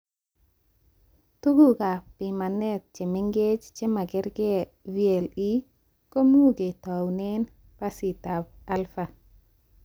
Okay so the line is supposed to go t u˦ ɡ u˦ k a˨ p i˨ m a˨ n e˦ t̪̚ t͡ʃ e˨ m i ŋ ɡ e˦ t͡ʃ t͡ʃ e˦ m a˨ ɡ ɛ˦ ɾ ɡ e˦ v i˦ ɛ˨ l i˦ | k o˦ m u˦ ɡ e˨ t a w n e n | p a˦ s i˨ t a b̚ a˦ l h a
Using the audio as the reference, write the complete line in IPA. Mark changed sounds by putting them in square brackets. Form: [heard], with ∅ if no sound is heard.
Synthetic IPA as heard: t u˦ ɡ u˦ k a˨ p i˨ m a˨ n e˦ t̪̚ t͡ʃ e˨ m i ŋ ɡ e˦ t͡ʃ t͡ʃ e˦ m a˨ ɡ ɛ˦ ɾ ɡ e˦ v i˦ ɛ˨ l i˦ | k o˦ m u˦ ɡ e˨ t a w n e n | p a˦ s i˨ t a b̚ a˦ l [f] a